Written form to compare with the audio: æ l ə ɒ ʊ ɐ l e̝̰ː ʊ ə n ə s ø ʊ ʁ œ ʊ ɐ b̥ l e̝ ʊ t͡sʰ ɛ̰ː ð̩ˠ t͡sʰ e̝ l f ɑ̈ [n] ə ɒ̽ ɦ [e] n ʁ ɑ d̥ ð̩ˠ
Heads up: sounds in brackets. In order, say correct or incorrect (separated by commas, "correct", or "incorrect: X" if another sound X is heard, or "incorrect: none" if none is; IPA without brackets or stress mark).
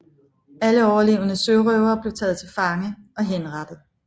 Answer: incorrect: ŋ, correct